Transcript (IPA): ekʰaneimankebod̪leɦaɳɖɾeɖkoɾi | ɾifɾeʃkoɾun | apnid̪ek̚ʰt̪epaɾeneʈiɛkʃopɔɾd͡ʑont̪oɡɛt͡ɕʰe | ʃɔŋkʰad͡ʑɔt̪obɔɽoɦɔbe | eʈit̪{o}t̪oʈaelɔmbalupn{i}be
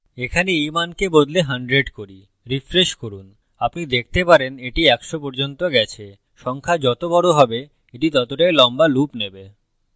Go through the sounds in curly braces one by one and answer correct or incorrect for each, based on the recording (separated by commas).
incorrect, incorrect